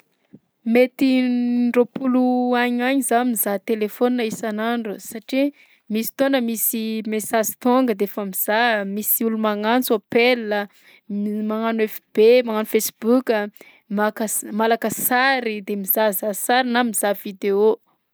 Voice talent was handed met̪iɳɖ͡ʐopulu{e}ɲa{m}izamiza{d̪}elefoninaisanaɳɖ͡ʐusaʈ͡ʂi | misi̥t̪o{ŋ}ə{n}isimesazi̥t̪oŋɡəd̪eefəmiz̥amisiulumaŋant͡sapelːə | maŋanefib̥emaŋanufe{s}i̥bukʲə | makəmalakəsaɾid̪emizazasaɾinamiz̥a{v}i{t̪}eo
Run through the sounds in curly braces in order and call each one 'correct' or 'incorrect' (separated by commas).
incorrect, incorrect, incorrect, incorrect, incorrect, correct, correct, incorrect